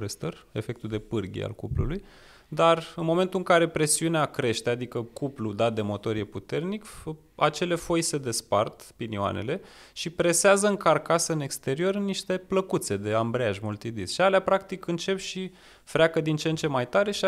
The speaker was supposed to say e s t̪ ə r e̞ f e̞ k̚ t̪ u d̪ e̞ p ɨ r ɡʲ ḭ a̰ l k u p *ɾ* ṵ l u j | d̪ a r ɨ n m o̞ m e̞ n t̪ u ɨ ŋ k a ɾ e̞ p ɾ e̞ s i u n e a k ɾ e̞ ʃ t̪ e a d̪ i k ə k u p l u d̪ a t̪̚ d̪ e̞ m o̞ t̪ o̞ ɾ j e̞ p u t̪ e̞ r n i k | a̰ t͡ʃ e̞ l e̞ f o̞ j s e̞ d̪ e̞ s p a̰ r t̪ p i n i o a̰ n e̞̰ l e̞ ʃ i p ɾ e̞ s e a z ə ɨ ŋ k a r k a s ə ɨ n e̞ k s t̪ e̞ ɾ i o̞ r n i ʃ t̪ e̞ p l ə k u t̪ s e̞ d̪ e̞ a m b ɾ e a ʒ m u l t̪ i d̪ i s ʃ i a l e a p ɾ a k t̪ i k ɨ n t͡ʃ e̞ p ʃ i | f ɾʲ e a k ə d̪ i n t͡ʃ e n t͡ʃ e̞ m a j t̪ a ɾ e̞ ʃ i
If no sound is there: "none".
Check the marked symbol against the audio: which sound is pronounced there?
l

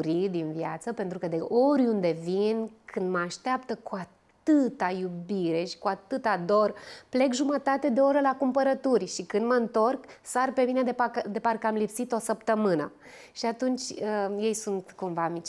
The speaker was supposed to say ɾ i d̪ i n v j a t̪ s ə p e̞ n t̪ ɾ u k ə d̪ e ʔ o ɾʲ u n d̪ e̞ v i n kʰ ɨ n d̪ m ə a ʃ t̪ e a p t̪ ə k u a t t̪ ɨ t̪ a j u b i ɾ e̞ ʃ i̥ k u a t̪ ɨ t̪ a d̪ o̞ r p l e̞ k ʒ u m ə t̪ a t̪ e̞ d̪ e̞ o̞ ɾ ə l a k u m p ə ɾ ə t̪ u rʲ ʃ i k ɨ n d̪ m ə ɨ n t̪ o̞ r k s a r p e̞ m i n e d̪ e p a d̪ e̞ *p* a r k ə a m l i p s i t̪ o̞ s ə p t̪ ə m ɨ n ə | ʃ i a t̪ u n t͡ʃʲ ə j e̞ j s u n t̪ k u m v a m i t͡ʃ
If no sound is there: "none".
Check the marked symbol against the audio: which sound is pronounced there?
p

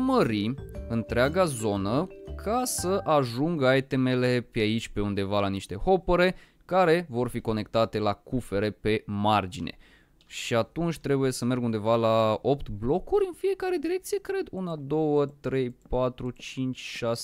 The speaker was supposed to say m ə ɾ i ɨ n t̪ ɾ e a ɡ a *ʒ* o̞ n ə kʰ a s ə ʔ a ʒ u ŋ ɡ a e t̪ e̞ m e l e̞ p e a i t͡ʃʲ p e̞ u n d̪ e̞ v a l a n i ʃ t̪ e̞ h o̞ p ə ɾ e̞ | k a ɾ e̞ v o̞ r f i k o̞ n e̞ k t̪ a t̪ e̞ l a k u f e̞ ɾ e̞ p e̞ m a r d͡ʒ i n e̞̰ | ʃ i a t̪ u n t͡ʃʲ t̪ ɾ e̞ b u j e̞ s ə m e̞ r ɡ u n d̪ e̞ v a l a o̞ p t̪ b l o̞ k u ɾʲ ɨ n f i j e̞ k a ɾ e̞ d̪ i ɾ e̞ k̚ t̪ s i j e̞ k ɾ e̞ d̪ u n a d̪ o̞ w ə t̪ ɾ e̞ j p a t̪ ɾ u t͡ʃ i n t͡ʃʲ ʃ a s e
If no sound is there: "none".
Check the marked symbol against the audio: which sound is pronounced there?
z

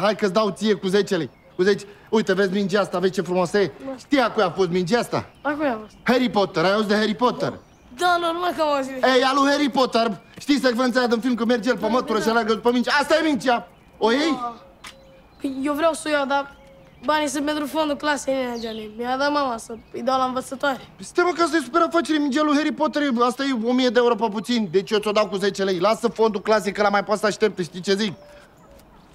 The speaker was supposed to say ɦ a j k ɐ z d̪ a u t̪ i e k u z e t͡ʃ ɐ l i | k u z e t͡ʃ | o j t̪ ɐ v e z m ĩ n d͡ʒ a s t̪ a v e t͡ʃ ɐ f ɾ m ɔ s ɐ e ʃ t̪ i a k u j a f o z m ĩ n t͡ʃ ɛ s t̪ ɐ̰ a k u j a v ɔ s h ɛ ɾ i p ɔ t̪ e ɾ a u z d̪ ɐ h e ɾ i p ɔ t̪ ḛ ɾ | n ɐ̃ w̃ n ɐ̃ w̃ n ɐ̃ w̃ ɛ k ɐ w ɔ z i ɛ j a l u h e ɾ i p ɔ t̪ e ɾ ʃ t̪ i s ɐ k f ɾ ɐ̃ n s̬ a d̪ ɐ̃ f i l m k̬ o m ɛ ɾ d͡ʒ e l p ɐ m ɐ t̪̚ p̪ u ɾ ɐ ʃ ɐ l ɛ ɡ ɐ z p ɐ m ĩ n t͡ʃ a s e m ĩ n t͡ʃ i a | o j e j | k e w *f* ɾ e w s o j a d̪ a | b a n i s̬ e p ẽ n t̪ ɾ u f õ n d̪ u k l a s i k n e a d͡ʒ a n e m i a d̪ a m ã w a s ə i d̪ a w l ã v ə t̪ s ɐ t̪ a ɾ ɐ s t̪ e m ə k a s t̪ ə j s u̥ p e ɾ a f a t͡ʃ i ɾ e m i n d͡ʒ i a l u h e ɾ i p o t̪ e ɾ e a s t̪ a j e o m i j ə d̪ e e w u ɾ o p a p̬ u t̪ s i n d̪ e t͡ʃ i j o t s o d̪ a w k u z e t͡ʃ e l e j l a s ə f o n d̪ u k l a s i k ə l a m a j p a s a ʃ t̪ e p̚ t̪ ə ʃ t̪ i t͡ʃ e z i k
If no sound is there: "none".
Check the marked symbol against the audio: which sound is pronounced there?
v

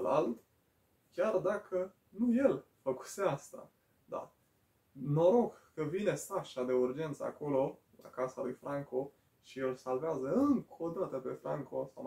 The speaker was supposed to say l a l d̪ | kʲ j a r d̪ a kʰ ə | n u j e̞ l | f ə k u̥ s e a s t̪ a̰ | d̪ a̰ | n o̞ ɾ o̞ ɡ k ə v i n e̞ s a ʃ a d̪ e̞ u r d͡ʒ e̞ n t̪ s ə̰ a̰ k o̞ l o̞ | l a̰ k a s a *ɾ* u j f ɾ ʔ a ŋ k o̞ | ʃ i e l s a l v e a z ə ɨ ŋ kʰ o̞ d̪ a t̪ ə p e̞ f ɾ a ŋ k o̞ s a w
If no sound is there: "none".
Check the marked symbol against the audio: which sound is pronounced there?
l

